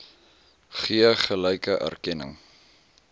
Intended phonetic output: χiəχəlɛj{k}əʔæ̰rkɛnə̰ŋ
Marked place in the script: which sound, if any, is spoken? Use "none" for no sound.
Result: k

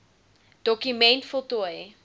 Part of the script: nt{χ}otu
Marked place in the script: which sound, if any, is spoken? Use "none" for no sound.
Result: f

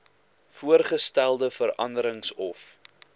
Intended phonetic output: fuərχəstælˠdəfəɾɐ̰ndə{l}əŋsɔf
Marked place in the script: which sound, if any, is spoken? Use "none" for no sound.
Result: ɾ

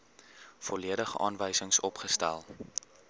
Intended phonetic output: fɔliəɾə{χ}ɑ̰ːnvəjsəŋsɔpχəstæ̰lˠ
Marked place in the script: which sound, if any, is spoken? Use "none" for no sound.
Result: χ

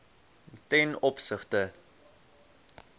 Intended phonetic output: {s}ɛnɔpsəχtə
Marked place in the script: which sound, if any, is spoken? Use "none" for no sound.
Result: t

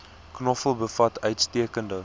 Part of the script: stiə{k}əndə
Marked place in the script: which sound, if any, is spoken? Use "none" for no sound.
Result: k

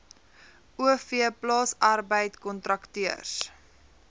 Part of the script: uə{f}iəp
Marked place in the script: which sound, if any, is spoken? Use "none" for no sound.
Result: f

